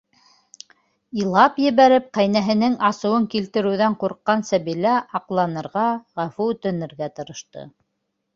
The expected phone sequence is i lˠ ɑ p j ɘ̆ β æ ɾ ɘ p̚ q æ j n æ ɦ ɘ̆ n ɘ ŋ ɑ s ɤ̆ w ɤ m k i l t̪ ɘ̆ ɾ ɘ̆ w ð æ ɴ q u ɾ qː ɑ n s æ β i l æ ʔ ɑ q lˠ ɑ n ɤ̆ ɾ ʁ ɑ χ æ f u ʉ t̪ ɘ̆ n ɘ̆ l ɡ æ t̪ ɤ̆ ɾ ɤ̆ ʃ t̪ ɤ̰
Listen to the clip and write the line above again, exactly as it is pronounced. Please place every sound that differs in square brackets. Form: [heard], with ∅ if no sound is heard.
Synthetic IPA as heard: i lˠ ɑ p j ɘ̆ β æ ɾ ɘ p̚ q æ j n æ ɦ ɘ̆ n ɘ ŋ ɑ s ɤ̆ w ɤ [ŋ] k i l t̪ ɘ̆ ɾ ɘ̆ w ð æ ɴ q u ɾ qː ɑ n s æ β i l æ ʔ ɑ q lˠ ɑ n ɤ̆ ɾ ʁ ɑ [ʁ] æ f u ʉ t̪ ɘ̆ n ɘ̆ [ɾ] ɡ æ t̪ ɤ̆ ɾ ɤ̆ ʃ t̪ ɤ̰